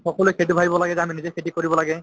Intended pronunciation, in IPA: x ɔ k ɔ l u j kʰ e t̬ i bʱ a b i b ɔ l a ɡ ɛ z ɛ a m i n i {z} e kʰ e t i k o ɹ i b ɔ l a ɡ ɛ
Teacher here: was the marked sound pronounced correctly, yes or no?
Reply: yes